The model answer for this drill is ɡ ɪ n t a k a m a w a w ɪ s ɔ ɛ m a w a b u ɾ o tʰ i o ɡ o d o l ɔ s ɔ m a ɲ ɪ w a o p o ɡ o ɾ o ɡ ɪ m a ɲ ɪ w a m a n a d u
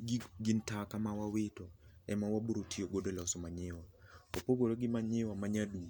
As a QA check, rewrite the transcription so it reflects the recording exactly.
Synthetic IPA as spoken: ɡ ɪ n t a k a m a w a w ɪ t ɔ ɛ m a w a b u ɾ o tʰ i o ɡ o d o l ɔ s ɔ m a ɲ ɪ w a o p o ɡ o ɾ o ɡ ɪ m a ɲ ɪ w a m a ɲ a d u